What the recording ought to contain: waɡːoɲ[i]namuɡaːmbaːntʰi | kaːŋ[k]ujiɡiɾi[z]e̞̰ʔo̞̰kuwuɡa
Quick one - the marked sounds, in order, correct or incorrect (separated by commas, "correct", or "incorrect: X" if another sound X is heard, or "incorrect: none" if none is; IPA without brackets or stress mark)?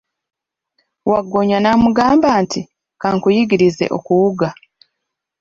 incorrect: a, correct, correct